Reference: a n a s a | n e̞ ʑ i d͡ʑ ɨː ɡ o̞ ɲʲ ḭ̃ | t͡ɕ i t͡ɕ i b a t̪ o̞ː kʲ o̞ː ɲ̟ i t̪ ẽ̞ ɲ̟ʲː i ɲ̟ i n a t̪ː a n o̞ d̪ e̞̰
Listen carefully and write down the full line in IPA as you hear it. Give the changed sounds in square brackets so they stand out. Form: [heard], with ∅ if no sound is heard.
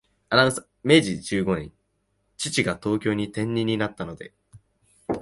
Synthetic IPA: a n a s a | [m] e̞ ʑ i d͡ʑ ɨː ɡ o̞ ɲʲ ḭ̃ | t͡ɕ i t͡ɕ i [ɡ] a t̪ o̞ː kʲ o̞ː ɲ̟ i t̪ ẽ̞ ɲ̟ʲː i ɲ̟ i n a t̪ː a n o̞ d̪ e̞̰